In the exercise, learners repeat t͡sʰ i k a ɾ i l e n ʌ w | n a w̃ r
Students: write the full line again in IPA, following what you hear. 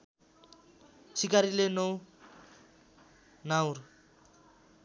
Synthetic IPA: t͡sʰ i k a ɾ i l e n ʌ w | n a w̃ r